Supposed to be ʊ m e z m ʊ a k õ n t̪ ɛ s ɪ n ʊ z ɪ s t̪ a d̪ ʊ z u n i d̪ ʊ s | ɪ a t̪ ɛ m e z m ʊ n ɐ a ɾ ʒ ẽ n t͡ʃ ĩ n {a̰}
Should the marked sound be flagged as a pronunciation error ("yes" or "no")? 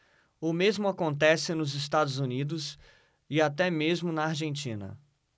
yes